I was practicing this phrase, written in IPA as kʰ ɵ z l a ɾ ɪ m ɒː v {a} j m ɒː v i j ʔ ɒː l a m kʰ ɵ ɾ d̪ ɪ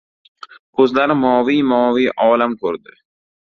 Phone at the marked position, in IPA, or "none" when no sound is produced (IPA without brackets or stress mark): i